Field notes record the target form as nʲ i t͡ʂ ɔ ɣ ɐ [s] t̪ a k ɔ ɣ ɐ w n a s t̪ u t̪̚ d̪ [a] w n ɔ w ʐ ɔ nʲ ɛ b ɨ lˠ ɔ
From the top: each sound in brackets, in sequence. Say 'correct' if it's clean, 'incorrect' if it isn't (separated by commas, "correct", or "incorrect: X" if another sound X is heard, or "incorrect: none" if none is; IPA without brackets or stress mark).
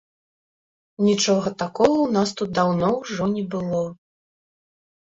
incorrect: none, correct